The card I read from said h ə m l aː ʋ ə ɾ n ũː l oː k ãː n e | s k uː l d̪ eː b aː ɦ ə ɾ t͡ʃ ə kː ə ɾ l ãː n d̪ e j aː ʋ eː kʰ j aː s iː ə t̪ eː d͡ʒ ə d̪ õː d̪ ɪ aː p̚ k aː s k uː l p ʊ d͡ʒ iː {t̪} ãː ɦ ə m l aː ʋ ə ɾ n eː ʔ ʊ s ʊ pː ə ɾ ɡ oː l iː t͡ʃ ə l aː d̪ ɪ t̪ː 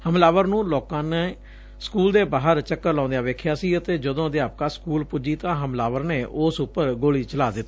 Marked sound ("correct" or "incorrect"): correct